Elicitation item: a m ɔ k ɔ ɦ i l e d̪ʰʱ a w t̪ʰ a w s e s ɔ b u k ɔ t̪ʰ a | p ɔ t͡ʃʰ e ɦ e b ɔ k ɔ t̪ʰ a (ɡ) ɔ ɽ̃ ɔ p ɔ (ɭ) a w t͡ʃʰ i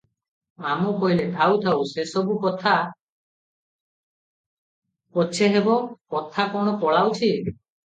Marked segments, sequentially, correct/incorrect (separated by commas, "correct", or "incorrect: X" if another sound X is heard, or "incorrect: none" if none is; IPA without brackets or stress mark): incorrect: k, correct